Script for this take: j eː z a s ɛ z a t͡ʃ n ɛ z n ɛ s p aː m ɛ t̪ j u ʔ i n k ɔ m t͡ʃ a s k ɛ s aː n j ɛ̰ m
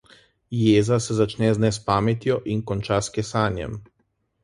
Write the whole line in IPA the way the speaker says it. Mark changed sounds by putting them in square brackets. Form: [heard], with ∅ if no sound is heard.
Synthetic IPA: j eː z a s ɛ z a t͡ʃ n ɛ z n ɛ s p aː m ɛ t̪ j [ɔ] ʔ i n k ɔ [n] t͡ʃ a s k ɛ s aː n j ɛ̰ m